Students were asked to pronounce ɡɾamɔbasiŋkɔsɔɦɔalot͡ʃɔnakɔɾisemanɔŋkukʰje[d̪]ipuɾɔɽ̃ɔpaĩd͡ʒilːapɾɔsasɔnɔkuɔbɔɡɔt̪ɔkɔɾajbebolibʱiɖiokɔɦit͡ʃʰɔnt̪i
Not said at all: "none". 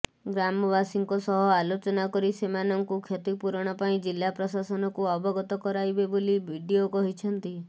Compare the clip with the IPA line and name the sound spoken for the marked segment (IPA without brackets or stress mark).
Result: t̪